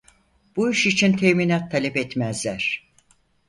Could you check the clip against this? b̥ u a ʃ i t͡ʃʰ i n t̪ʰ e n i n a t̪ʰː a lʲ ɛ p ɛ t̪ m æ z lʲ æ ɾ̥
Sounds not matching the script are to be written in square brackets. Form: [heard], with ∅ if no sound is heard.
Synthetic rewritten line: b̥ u [i] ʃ i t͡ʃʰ i n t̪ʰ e [m] i n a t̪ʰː a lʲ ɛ p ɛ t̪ m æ z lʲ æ ɾ̥